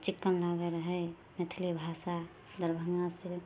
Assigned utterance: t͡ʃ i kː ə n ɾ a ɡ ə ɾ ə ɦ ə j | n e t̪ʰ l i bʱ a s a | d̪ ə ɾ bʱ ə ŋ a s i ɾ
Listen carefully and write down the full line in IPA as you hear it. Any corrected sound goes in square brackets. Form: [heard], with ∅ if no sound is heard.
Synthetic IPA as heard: t͡ʃ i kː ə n [l] a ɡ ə ɾ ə ɦ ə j | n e t̪ʰ l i bʱ a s a | d̪ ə ɾ bʱ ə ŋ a s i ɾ